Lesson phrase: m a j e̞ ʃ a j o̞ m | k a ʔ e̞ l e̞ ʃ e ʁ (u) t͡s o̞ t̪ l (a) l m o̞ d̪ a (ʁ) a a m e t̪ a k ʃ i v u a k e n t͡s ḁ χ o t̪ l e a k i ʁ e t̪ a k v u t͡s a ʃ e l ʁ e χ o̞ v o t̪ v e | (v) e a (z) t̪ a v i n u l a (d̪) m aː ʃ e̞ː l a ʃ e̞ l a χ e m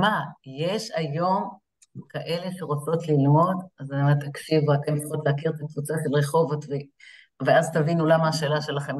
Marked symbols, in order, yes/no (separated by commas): no, no, no, yes, yes, no